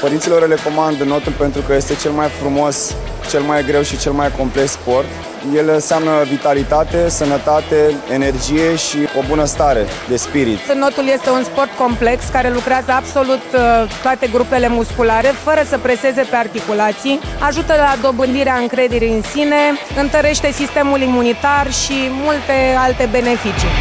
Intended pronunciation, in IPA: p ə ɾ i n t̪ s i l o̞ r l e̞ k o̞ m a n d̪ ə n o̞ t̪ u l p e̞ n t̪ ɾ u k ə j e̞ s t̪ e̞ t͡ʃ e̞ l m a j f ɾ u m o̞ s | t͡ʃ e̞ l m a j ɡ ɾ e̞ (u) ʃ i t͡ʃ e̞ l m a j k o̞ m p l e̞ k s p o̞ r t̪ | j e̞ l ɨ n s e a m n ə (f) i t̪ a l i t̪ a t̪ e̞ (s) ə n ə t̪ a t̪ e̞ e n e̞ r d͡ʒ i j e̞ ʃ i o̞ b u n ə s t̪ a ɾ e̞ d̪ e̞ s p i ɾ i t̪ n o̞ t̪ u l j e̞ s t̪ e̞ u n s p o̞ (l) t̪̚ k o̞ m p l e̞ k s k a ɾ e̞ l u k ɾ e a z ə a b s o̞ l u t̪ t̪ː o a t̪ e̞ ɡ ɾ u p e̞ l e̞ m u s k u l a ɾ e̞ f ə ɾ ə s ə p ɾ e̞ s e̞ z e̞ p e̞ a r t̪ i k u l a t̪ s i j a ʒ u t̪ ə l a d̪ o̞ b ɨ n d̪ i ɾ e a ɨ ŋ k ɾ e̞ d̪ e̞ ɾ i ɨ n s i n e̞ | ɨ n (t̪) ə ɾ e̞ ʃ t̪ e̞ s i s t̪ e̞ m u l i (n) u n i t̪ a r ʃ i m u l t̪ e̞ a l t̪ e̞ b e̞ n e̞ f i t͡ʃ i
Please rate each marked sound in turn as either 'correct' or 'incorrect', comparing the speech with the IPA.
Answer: incorrect, incorrect, correct, incorrect, correct, incorrect

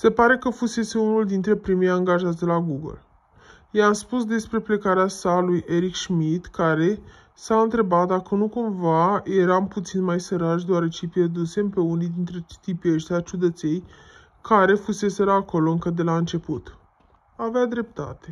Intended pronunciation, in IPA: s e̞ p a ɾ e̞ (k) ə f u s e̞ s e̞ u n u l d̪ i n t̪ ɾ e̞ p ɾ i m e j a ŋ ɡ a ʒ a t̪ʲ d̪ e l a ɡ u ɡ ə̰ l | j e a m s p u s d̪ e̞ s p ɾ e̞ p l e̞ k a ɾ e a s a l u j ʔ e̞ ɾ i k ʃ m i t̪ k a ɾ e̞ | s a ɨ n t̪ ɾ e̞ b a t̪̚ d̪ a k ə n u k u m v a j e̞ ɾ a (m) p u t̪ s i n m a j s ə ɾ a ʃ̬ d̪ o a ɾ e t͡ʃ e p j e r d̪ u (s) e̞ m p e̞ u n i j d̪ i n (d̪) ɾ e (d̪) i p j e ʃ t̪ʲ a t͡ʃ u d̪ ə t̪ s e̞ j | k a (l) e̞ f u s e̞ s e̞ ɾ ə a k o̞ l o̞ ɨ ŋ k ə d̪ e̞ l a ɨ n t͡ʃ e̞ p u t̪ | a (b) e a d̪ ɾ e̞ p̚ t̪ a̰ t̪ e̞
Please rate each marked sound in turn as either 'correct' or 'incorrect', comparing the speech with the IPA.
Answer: correct, correct, correct, incorrect, incorrect, incorrect, incorrect

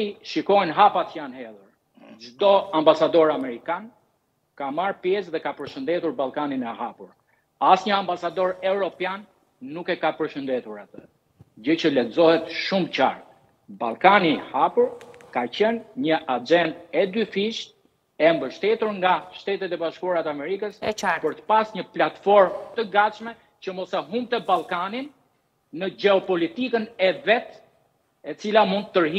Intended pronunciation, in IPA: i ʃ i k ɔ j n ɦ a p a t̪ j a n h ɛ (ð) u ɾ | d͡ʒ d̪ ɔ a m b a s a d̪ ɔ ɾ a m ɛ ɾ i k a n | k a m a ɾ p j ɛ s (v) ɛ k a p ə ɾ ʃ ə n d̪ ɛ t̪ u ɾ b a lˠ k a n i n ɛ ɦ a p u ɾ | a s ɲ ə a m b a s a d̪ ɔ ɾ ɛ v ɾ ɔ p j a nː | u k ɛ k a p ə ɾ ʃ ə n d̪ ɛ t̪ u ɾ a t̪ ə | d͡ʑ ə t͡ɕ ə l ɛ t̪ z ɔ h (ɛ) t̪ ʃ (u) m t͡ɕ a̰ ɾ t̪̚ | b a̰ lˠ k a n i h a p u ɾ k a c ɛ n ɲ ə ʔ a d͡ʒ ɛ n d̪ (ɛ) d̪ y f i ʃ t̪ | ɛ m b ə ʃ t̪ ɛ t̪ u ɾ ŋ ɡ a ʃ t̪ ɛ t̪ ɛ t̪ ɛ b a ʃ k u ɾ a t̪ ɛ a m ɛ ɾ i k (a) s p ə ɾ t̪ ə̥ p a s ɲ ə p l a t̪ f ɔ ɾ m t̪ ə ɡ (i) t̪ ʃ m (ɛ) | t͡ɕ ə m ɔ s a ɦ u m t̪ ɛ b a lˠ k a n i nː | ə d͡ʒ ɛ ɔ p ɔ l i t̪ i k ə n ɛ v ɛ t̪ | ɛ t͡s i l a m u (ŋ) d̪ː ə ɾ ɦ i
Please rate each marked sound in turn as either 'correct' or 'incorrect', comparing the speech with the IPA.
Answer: correct, incorrect, correct, correct, correct, incorrect, incorrect, correct, incorrect

